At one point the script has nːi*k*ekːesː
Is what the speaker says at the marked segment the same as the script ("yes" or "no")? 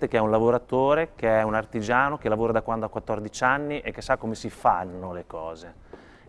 no